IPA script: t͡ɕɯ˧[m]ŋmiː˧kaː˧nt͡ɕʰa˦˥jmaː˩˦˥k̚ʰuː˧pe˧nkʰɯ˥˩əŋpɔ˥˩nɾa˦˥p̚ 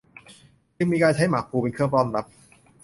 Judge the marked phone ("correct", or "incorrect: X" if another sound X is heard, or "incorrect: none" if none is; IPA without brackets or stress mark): incorrect: none